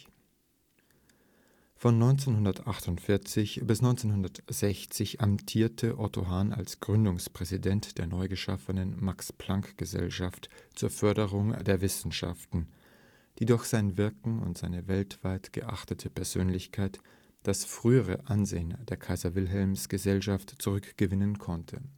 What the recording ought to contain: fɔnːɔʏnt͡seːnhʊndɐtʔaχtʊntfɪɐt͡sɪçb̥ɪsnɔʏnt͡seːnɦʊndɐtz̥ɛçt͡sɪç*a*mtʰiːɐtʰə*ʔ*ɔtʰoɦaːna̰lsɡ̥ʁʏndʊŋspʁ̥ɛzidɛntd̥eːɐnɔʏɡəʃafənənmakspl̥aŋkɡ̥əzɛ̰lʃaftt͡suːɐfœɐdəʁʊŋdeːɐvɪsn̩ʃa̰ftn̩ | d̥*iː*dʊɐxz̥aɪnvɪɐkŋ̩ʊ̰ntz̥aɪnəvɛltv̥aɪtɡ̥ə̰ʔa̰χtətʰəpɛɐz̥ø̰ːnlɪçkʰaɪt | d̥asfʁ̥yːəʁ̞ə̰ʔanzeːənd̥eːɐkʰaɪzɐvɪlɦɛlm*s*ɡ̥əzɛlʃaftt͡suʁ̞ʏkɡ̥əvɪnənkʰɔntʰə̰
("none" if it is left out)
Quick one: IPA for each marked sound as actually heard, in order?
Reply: a, ʔ, iː, s

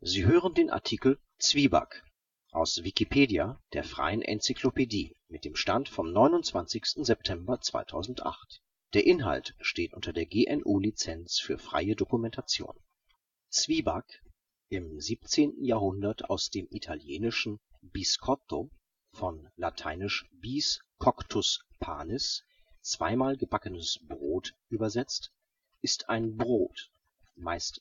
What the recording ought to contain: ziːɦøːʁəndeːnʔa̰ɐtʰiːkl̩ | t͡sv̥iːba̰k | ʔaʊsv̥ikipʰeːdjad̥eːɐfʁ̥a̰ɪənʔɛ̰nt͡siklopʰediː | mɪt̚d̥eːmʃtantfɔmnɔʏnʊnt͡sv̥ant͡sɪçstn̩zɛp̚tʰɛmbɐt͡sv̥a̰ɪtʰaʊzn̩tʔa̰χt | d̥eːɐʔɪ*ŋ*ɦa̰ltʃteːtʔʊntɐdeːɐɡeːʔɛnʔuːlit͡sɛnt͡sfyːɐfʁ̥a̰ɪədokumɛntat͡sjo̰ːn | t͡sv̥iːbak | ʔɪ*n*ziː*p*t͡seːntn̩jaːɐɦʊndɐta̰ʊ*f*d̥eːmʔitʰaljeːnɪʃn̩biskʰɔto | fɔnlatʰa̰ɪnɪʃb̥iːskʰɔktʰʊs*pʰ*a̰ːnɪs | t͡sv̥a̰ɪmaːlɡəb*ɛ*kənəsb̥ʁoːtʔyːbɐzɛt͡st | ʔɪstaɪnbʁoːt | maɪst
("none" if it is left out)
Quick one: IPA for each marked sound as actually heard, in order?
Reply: n, m, p, s, pʰ, a

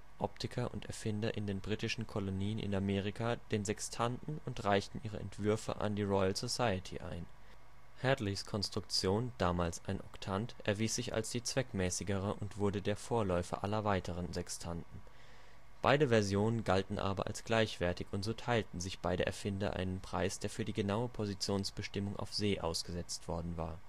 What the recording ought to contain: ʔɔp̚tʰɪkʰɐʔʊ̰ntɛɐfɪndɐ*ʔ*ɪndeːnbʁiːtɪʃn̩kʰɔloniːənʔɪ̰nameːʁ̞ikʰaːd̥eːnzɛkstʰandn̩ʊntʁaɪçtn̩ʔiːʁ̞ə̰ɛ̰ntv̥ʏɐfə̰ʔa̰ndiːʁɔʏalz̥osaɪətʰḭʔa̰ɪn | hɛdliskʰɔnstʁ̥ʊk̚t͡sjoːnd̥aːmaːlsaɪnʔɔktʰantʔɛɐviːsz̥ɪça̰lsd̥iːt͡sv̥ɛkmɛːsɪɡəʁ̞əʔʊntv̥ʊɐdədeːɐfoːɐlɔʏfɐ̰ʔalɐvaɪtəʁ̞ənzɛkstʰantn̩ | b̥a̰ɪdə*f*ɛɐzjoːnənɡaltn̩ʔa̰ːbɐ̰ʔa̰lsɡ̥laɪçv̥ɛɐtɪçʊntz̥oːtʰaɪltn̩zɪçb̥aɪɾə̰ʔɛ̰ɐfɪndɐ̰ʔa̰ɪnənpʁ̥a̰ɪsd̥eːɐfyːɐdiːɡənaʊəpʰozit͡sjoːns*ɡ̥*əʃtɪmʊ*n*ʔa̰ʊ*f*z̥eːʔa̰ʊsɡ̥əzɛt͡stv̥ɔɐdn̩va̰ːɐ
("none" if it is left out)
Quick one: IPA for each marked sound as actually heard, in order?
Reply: ʔ, v, b̥, ŋ, f

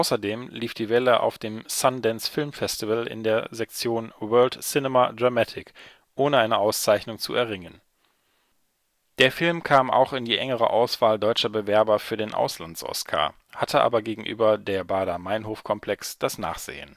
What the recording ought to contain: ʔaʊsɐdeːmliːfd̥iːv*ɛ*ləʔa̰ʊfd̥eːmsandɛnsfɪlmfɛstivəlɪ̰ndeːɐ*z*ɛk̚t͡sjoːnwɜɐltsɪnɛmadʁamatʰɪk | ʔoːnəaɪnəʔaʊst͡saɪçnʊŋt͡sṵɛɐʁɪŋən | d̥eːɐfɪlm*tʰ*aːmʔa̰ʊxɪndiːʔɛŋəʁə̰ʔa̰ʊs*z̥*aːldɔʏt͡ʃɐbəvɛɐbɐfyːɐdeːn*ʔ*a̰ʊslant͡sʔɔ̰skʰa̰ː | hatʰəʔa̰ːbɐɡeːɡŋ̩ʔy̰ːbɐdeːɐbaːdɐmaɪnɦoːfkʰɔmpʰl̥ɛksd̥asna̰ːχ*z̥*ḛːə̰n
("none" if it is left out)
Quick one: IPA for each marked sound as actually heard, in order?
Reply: ɛ, z, kʰ, v̥, ʔ, z̥

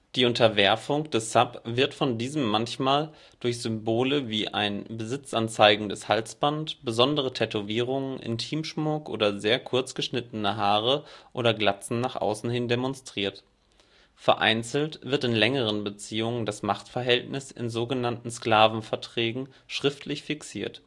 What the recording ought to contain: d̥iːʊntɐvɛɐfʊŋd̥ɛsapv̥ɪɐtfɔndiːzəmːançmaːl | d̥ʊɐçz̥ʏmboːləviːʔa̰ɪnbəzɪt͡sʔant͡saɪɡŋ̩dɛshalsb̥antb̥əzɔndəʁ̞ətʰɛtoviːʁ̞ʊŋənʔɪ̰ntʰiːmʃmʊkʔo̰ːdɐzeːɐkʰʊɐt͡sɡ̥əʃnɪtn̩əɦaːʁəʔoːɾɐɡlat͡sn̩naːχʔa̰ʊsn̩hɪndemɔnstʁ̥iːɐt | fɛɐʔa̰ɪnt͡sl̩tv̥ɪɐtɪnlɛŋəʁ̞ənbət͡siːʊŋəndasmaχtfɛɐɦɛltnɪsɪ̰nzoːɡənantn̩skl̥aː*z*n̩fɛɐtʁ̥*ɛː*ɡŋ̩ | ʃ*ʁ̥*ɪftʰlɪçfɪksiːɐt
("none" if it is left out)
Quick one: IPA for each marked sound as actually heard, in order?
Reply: v, ɛː, ʁ̥

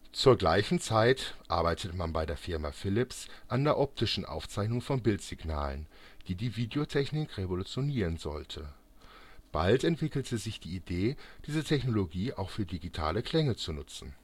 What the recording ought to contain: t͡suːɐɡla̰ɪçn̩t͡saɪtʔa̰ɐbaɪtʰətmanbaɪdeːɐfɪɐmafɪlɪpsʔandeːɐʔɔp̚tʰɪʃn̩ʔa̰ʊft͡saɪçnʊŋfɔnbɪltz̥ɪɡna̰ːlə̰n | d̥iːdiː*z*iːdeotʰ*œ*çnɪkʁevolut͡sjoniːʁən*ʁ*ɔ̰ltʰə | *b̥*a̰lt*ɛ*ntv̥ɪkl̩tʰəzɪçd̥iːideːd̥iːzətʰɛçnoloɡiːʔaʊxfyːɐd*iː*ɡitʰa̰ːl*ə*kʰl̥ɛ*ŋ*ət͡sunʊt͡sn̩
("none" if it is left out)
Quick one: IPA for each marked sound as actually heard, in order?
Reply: v, ɛ, z, b̥, ɛ, i, ə, ŋ

